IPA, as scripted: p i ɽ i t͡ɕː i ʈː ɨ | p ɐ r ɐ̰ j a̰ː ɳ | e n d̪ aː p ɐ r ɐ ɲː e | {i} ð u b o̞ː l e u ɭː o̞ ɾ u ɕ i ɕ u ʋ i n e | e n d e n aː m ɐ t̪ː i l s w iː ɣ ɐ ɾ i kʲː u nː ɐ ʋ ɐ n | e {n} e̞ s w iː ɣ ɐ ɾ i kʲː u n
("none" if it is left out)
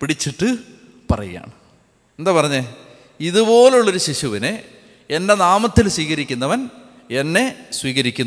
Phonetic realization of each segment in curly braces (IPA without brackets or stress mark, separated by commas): i, nː